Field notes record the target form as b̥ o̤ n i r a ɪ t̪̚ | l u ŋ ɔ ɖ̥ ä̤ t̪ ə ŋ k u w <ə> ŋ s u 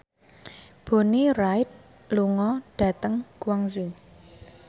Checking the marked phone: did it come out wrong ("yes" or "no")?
yes